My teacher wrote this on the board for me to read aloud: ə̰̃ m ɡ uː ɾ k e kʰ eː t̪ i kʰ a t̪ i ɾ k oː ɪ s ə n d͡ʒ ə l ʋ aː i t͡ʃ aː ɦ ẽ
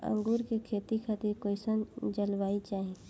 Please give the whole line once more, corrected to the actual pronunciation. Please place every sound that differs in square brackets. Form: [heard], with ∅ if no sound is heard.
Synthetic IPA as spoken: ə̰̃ [ŋ] ɡ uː ɾ k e kʰ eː t̪ i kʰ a t̪ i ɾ k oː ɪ s ə n d͡ʒ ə l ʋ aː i t͡ʃ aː ɦ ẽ

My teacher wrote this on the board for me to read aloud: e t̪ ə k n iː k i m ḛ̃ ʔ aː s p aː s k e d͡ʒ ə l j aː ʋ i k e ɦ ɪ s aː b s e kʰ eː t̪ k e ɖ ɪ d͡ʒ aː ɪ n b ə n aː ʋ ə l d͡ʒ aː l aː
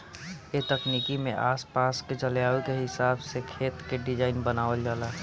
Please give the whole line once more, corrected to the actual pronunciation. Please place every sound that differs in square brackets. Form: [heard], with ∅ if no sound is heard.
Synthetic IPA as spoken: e t̪ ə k n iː k i m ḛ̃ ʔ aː s p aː s k e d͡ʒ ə l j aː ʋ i k e ɦ ɪ s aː b s e kʰ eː t̪ k e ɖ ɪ d͡ʒ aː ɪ n b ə n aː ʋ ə l d͡ʒ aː l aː

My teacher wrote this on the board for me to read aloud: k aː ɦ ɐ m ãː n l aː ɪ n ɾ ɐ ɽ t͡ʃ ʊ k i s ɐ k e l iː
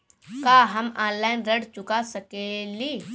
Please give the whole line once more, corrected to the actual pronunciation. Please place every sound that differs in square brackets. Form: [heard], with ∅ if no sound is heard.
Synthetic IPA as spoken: k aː ɦ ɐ m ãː n l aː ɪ n ɾ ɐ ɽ t͡ʃ ʊ k [a] s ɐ k e l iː

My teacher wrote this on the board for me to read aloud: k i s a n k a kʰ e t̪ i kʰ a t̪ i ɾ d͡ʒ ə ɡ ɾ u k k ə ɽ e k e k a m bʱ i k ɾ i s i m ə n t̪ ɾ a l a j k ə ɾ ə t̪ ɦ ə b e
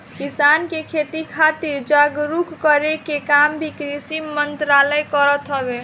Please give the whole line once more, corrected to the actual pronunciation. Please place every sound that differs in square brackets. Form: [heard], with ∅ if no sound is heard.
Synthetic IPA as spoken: k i s a n k [e] kʰ e t̪ i kʰ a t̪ i ɾ d͡ʒ [a] ɡ ɾ u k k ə [ɾ] e k e k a m bʱ i k ɾ i s i m ə n t̪ ɾ a l [ə] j k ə ɾ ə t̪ ɦ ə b e

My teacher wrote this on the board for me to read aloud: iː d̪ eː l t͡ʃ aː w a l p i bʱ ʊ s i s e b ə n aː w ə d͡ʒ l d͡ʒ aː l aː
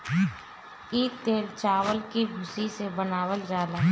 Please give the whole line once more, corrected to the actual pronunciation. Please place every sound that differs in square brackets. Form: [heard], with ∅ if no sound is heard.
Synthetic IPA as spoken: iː [t̪] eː l t͡ʃ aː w [ə] l [k] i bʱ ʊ s i s e b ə n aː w ə [∅] l d͡ʒ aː l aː

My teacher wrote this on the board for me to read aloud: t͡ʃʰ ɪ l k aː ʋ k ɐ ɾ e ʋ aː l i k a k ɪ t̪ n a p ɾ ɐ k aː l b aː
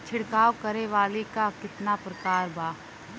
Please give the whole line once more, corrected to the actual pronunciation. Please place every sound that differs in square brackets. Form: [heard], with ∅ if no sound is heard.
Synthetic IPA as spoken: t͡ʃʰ ɪ [ɽ] k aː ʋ k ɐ ɾ e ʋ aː l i k a k ɪ t̪ n a p ɾ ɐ k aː [ɾ] b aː

